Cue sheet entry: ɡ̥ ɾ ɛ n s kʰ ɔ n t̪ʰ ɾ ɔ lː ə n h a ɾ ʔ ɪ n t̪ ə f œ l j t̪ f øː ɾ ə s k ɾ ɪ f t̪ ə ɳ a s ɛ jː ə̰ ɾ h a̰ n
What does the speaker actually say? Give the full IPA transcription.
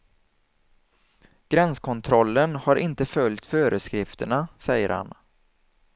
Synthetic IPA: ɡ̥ ɾ ɛ n s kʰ ɔ n t̪ʰ ɾ ɔ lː ə n h a ɾ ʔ ɪ n t̪ ə f œ l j t̪ f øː ɾ ə s k ɾ ɪ f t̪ ə ɳ a s ɛ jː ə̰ ɾ h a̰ n